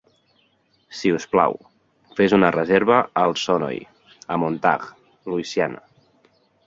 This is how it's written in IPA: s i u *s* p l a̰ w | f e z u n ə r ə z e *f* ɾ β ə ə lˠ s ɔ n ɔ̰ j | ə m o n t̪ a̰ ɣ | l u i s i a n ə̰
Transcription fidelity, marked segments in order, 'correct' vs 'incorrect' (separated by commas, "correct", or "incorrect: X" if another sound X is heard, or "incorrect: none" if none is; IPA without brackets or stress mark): correct, incorrect: none